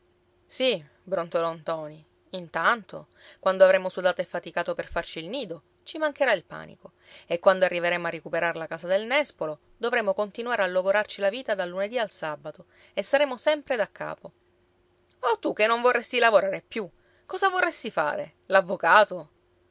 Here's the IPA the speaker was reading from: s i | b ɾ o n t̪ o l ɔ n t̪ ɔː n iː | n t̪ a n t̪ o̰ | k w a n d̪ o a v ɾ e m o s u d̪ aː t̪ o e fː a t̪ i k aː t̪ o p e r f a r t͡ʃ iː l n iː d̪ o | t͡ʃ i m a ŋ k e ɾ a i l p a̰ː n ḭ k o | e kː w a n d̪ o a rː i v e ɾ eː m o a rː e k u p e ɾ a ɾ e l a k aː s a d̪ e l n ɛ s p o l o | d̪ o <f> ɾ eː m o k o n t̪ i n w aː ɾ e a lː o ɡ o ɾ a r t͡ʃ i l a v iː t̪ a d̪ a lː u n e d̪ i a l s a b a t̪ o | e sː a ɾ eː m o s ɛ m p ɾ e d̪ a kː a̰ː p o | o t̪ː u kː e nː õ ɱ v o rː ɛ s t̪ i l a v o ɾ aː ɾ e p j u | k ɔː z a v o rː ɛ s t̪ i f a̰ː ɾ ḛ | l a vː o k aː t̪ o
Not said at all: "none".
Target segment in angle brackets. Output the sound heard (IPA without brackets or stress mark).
v